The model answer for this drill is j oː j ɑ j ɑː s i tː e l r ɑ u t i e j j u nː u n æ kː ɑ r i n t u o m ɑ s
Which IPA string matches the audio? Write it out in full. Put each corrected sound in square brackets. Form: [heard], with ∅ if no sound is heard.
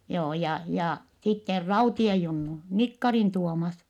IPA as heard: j oː j ɑ j [ɑ] s i tː e [r] r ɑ u t i e j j u nː u n [i] kː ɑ r i n t u o m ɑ s